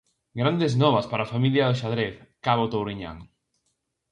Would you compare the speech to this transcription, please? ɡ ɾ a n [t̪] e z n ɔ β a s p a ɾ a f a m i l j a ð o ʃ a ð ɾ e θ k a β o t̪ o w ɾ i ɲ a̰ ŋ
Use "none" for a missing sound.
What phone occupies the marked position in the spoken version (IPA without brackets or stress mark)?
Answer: d̪